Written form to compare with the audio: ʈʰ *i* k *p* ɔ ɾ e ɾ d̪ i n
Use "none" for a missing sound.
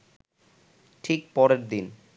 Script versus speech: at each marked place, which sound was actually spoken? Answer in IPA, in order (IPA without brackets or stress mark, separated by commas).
i, p